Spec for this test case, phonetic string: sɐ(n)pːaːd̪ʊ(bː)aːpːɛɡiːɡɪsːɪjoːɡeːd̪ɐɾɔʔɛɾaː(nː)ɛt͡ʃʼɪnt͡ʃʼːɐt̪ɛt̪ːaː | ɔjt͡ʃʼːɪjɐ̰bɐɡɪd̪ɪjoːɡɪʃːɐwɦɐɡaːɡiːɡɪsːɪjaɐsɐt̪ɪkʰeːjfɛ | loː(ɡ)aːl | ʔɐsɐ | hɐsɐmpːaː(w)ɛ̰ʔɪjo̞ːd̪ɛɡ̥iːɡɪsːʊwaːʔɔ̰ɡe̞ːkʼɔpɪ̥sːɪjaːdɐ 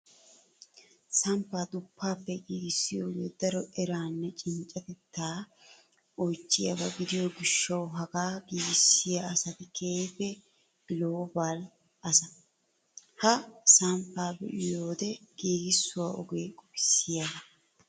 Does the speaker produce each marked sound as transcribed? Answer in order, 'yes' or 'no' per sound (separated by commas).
no, no, yes, no, no